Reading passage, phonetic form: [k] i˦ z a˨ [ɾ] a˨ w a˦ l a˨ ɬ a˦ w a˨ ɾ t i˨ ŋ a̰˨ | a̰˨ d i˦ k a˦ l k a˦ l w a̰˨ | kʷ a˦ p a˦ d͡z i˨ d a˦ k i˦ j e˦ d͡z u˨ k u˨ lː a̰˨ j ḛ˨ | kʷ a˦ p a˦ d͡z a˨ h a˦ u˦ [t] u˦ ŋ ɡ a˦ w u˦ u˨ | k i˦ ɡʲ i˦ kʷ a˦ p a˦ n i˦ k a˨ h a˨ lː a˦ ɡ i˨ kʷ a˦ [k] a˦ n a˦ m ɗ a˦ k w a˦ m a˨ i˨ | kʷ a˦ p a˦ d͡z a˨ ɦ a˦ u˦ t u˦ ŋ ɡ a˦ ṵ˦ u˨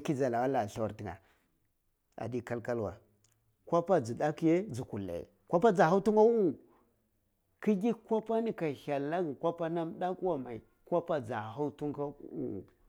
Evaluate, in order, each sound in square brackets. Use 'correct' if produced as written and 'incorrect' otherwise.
correct, incorrect, correct, incorrect

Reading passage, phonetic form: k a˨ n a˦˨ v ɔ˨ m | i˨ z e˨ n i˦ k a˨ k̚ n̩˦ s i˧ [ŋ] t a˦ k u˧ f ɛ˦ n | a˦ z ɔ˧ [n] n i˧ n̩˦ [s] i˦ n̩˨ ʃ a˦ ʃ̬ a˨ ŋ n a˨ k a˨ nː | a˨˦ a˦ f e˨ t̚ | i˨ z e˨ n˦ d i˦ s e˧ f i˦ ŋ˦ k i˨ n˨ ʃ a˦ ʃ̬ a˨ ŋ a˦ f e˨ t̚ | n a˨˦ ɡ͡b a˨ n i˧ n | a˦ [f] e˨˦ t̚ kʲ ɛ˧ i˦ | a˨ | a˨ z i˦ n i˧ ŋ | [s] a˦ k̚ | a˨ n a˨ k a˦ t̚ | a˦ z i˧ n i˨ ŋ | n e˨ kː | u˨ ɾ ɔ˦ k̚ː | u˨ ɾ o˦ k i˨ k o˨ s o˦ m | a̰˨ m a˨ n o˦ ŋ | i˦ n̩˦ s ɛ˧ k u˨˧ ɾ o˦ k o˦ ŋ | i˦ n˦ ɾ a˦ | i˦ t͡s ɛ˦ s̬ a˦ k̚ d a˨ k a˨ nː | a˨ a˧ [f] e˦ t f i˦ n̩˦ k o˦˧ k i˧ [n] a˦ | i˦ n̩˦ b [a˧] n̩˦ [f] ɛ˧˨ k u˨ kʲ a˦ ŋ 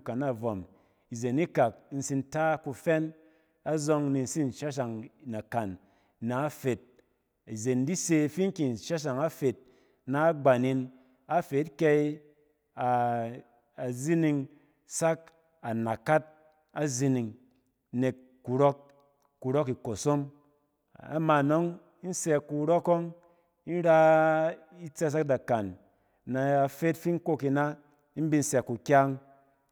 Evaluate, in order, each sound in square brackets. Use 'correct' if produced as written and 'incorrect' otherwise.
incorrect, incorrect, correct, correct, correct, correct, correct, incorrect, incorrect

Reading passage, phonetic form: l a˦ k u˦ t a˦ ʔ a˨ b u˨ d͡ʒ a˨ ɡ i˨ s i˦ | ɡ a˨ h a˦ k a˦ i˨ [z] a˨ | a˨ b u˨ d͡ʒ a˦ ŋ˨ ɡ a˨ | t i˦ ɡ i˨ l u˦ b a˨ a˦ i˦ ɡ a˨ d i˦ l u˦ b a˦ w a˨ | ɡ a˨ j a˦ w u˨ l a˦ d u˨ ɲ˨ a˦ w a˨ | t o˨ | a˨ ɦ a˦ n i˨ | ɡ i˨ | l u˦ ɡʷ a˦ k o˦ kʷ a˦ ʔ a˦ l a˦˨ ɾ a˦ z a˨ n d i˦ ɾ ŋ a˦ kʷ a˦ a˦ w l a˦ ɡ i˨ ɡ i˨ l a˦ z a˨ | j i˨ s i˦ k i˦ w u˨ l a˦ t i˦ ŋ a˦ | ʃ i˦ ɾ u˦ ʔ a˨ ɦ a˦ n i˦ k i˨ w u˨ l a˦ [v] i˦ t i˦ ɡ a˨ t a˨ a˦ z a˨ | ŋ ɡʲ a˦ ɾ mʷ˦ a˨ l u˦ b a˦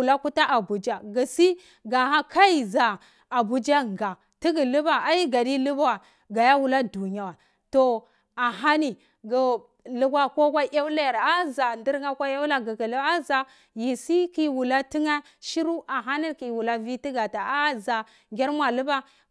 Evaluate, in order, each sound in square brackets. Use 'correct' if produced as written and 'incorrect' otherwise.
correct, correct

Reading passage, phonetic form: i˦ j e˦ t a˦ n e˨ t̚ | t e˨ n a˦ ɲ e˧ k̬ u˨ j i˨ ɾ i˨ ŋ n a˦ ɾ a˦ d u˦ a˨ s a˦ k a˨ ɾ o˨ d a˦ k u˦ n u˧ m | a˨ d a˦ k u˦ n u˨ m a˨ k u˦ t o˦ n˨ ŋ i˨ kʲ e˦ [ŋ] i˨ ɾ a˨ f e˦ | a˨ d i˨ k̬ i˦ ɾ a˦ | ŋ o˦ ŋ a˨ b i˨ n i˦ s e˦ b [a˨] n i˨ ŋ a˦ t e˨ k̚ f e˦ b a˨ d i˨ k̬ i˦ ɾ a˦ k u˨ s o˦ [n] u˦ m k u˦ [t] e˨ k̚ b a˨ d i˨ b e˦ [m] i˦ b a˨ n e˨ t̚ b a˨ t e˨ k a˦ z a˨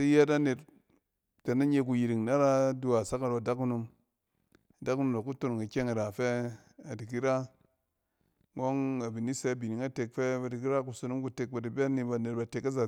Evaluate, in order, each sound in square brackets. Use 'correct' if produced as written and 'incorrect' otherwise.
correct, incorrect, correct, correct, incorrect

